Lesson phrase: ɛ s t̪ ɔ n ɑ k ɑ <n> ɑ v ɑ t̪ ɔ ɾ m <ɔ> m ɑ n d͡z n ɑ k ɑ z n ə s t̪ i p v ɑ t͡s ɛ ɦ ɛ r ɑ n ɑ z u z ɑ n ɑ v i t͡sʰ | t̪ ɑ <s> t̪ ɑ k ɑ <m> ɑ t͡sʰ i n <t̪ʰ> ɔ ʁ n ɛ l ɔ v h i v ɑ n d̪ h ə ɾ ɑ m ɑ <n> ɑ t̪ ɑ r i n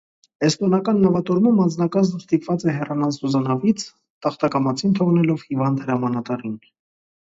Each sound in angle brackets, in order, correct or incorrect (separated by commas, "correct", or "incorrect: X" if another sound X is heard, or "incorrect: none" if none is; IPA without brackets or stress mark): incorrect: nː, incorrect: u, incorrect: χ, correct, correct, correct